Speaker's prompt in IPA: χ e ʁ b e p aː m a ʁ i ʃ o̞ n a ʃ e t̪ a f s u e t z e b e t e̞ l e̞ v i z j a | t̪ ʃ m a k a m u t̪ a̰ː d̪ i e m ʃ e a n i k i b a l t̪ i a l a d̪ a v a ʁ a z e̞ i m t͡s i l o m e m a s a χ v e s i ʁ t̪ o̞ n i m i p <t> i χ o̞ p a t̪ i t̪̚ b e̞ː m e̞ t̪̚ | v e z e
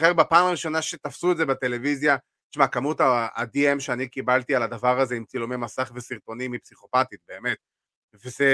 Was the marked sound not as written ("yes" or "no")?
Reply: yes